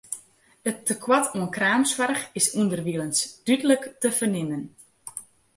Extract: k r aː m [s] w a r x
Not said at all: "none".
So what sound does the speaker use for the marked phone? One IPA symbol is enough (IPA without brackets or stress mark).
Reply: s